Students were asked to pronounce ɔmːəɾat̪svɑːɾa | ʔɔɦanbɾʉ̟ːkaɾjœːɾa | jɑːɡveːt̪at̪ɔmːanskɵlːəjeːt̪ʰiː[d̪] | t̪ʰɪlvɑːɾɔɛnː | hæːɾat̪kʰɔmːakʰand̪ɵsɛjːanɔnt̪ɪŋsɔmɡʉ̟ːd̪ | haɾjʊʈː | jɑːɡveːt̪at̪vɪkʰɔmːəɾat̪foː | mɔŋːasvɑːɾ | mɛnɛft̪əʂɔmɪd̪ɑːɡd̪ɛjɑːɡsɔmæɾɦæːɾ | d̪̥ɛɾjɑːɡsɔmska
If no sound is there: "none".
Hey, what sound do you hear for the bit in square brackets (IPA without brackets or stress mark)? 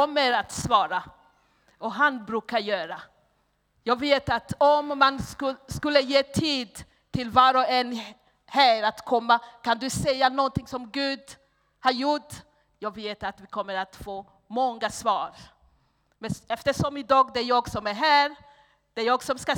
d̪